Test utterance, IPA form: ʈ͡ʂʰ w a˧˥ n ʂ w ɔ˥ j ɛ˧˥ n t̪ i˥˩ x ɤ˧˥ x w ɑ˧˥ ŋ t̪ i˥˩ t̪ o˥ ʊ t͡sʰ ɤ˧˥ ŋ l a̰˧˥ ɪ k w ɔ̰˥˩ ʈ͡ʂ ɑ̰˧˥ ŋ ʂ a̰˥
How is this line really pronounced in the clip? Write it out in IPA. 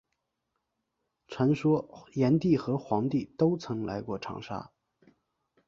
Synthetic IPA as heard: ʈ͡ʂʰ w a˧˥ n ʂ w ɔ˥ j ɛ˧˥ n t̪ i˥˩ x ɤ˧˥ x w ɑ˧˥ ŋ t̪ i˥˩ t̪ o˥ ʊ t͡sʰ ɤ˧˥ ŋ l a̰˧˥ ɪ k w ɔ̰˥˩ ʈ͡ʂʰ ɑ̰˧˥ ŋ ʂ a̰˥